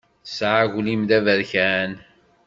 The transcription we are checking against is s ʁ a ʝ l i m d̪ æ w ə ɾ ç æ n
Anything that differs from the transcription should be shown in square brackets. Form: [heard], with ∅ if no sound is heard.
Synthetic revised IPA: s [ʕ] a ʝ l i m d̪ æ [v] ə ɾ ç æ n